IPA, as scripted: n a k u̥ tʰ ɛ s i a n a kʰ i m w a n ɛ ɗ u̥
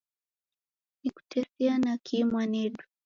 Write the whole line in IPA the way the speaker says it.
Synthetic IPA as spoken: n i k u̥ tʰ ɛ s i a n a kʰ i m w a n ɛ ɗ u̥